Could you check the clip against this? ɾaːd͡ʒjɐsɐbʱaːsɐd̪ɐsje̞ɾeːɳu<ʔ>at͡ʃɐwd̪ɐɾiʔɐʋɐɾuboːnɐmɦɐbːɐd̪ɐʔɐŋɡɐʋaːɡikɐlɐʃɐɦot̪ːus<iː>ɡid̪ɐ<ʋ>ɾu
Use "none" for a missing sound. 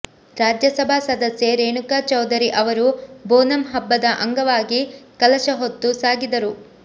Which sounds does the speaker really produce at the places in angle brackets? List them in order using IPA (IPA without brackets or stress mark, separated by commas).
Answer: k, aː, none